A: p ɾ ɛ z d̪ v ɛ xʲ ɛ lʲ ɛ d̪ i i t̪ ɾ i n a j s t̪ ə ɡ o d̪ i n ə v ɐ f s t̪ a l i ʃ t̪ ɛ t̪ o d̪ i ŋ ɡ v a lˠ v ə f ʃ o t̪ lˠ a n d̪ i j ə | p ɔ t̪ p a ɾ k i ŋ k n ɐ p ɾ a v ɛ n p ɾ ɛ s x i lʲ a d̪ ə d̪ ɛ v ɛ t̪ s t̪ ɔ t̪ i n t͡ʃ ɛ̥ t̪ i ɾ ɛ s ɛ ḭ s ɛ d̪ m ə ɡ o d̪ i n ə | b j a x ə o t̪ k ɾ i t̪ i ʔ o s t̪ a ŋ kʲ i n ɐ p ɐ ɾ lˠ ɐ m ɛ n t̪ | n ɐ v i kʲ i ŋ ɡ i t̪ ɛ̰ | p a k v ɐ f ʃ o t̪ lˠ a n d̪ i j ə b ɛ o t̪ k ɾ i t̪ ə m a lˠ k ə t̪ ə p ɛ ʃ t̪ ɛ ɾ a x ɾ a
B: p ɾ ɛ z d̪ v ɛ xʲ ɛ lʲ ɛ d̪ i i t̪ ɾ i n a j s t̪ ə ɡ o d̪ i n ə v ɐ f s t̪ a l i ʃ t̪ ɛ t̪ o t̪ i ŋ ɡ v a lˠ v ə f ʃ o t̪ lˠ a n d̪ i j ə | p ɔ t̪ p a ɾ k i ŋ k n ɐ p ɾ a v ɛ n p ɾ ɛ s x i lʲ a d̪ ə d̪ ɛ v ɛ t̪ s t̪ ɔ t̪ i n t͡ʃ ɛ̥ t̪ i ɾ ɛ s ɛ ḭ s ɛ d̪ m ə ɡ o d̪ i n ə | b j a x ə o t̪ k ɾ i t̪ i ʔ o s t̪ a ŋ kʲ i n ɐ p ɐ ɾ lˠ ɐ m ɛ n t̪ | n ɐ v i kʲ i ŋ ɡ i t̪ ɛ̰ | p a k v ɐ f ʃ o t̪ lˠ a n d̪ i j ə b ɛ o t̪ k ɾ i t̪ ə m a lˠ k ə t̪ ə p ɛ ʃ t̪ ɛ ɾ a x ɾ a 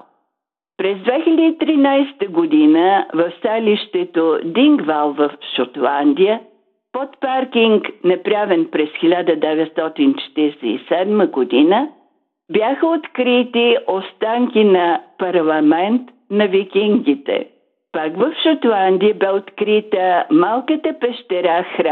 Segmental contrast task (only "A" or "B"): A